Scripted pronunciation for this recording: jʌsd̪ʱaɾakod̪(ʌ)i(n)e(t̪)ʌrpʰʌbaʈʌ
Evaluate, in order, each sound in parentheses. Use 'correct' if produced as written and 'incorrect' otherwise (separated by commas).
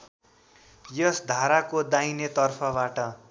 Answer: incorrect, correct, correct